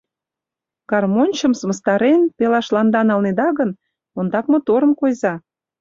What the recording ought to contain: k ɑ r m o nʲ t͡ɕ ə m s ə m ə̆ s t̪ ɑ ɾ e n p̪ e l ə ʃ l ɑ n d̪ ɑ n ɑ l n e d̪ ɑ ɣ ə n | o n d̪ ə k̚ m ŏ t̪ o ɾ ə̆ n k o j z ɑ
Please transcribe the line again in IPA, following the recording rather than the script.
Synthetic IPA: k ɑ r m o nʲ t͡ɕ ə m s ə m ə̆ s t̪ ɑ ɾ e n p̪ e l ɑ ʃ l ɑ n d̪ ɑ n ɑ l n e d̪ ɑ ɣ ə n | o n d̪ ɑ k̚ m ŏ t̪ o ɾ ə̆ m k o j z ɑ